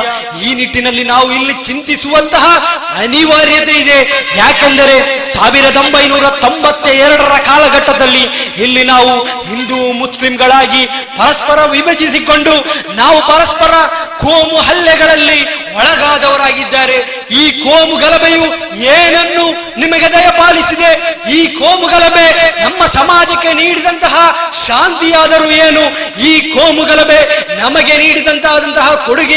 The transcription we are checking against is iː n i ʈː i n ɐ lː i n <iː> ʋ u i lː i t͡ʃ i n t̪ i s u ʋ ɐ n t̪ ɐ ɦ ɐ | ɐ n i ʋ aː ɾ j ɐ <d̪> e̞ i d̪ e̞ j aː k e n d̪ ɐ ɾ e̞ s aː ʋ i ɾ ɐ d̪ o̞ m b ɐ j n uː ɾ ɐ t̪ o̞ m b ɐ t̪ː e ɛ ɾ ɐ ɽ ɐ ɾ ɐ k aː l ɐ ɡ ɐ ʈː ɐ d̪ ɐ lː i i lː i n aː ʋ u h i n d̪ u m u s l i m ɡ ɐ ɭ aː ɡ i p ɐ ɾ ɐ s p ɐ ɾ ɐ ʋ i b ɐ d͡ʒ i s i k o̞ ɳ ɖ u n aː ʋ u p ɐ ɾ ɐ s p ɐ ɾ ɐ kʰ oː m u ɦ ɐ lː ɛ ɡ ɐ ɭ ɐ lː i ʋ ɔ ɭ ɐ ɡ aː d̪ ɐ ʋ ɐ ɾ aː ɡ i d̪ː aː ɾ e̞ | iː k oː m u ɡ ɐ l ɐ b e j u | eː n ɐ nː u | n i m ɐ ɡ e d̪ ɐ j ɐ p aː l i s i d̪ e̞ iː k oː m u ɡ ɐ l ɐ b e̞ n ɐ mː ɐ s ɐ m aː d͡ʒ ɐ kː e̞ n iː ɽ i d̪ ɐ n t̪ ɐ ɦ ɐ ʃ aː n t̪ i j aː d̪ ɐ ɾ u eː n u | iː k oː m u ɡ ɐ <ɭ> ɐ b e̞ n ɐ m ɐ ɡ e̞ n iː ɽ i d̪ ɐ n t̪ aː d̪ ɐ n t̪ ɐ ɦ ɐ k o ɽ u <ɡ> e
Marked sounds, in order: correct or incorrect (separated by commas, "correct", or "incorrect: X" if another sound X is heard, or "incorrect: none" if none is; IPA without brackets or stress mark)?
incorrect: aː, incorrect: t̪, incorrect: l, correct